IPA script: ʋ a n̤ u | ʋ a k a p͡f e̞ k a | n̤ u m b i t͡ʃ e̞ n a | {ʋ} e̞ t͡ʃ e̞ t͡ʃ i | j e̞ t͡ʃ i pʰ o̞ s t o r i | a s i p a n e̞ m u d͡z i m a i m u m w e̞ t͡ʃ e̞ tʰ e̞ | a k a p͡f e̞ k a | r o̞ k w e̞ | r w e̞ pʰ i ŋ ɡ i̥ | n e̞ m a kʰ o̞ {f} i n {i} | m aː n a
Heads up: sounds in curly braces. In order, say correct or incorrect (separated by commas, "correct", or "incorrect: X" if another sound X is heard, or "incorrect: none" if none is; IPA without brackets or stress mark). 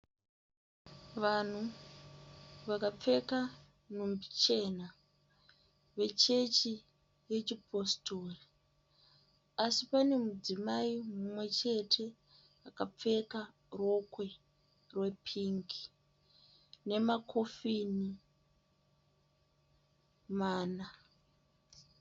correct, correct, correct